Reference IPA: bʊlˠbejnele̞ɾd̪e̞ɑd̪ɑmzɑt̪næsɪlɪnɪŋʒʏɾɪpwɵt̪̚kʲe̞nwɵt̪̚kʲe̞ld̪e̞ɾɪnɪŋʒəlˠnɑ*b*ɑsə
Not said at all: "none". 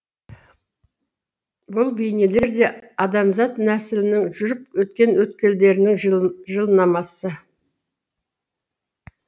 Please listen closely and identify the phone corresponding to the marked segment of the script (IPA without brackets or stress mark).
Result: m